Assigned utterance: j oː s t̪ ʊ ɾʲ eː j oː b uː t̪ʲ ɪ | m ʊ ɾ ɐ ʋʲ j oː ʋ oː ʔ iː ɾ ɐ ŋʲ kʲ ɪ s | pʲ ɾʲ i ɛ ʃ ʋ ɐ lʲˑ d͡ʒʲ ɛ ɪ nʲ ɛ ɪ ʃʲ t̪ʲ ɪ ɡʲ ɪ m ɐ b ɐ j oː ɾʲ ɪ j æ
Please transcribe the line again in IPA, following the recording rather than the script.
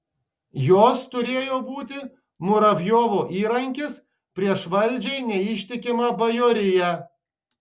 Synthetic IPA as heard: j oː s t̪ ʊ ɾʲ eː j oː b uː t̪ʲ ɪ | m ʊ ɾ ɐ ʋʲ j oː ʋ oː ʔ iː ɾ ɐ ŋʲ kʲ ɪ s | pʲ ɾʲ i ɛ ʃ ʋ ɐ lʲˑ d͡ʒʲ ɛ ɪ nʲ ɛ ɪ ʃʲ t̪ʲ ɪ kʲ ɪ m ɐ b ɐ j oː ɾʲ ɪ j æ